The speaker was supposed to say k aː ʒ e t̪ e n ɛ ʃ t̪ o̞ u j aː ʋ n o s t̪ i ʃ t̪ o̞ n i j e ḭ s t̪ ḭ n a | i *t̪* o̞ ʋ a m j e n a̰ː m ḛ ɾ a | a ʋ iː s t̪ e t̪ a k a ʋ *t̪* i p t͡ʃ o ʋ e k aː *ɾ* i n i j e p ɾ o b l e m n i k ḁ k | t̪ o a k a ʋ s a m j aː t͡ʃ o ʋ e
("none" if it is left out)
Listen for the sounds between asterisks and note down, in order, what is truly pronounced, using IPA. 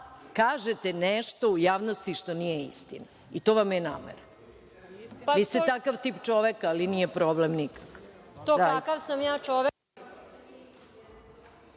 t̪, t̪, l

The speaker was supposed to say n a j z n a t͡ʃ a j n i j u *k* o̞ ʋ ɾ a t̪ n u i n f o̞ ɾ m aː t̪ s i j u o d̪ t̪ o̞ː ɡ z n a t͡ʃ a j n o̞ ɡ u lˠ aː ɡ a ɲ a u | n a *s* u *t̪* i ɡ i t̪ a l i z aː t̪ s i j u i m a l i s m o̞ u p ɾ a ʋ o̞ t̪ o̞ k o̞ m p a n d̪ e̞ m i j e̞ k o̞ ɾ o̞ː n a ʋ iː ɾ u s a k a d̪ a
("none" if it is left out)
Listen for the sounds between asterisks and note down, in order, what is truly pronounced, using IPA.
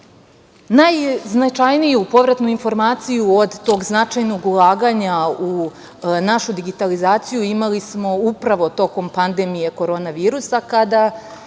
p, ʃ, d̪

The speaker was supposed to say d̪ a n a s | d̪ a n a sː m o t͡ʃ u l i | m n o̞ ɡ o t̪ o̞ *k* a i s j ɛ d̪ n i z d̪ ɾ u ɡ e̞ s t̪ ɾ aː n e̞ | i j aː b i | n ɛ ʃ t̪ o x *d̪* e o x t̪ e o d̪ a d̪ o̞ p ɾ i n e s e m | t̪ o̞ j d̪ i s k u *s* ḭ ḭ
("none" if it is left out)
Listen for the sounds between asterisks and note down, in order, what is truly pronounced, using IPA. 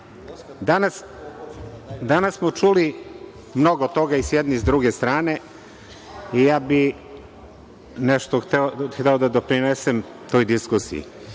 ɡ, t̪, s

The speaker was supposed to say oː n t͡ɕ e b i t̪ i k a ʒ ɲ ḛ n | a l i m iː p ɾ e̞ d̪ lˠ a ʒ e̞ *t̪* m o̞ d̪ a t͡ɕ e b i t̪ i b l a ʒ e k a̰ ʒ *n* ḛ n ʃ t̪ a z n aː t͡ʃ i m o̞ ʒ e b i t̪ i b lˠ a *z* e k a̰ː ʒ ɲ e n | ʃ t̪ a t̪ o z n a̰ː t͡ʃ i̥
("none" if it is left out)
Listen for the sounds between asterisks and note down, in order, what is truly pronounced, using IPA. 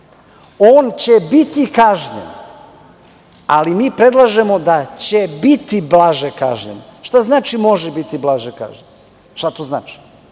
none, ɲ, ʒ

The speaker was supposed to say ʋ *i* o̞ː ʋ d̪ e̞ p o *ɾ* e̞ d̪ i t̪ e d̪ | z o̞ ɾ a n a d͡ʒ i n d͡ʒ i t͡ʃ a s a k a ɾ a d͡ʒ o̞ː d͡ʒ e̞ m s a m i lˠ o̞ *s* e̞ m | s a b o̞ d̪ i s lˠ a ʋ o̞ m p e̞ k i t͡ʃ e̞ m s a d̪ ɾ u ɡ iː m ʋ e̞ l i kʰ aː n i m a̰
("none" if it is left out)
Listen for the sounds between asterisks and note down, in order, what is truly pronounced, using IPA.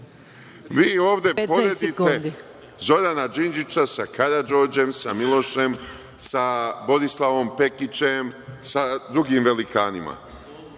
iː, ɾ, ʃ

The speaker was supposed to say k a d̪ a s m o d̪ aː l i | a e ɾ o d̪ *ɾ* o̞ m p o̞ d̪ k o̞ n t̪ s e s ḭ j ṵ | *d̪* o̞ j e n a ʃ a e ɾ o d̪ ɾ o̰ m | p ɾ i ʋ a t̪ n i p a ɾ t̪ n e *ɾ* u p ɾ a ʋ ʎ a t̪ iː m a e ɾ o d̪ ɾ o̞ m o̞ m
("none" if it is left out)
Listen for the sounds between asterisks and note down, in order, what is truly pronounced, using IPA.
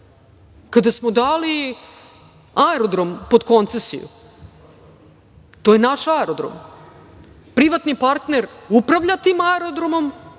ɾ, t̪, ɾ

